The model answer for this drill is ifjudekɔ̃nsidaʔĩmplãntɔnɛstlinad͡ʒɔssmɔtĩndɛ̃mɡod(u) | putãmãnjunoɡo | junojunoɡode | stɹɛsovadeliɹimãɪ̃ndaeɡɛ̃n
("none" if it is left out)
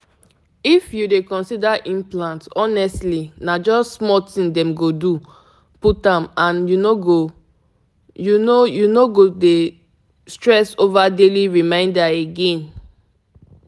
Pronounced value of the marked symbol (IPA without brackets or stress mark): u